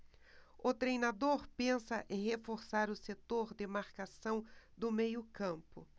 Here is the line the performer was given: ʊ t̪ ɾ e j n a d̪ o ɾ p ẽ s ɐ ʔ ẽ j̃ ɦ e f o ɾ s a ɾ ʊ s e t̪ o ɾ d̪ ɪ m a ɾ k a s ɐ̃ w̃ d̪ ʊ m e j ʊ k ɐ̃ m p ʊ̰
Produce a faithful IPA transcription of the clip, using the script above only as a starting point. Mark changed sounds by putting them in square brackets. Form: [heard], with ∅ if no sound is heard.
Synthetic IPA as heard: ʊ t̪ ɾ e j n a d̪ o ɾ p ẽ s ɐ ʔ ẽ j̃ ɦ e f o ɾ s a ɾ ʊ s e t̪ o ɾ d̪ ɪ m a ɾ k a s ɐ̃ w̃ d̪ ʊ m e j ʊ k ɐ̃ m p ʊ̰